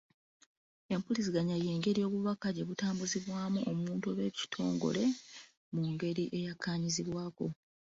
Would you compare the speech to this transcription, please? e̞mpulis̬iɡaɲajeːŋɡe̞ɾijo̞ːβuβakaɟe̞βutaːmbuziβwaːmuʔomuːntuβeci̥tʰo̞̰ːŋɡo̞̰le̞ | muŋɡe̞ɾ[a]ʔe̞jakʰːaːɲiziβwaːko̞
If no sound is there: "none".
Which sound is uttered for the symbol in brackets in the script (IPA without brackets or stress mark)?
i